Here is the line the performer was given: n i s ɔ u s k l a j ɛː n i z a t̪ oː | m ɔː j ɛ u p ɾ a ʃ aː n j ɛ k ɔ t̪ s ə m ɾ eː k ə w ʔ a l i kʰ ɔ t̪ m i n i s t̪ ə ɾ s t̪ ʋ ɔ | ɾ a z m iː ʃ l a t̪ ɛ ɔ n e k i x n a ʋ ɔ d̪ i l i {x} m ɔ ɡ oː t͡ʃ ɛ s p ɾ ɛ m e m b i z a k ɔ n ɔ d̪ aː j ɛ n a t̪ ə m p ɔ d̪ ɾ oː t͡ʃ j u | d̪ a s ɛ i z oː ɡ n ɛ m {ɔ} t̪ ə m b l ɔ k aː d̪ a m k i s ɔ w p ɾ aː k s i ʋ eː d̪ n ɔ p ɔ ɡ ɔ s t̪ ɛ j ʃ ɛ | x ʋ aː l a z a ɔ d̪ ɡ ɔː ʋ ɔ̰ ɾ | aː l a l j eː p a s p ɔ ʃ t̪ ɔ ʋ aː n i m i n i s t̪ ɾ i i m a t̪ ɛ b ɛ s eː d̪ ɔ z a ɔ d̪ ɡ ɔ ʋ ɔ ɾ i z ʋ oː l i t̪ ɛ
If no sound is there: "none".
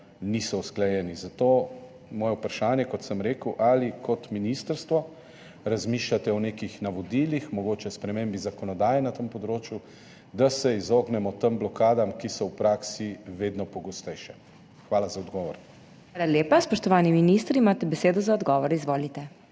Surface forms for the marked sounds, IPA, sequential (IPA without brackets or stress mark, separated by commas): x, ɔ